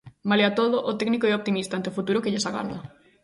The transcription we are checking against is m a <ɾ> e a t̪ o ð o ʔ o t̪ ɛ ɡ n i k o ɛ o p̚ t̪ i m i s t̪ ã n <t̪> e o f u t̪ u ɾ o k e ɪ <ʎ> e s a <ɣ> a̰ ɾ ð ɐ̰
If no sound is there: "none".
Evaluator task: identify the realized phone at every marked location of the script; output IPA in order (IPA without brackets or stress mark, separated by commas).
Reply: l, t̪, ʎ, ɣ